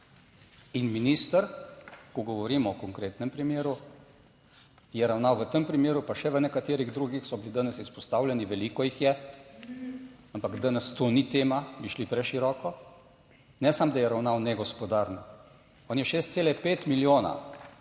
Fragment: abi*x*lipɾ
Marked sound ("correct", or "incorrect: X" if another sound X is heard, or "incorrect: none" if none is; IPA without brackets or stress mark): incorrect: ʃ